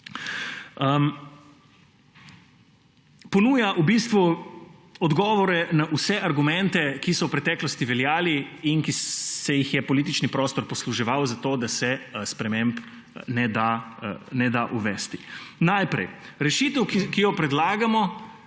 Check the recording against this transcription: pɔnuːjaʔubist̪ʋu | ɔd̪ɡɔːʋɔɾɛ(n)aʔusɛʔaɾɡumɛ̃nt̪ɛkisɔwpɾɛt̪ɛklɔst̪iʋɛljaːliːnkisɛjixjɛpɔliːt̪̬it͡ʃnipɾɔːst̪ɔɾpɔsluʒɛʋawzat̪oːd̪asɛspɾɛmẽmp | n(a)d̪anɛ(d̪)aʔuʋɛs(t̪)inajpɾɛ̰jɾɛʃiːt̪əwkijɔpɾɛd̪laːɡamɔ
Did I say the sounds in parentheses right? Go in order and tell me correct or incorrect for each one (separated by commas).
correct, incorrect, correct, correct